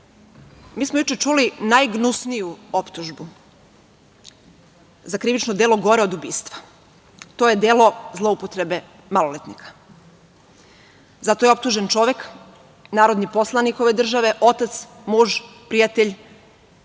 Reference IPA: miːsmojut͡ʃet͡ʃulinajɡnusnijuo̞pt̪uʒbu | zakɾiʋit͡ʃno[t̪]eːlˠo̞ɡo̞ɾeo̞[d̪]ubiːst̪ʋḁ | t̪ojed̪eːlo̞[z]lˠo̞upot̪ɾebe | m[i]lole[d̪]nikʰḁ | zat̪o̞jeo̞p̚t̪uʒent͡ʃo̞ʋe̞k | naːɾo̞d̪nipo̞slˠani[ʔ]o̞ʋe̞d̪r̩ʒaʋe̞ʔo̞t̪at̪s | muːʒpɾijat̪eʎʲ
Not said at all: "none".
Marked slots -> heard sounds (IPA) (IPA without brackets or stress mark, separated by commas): d̪, d̪, z, a, t̪, k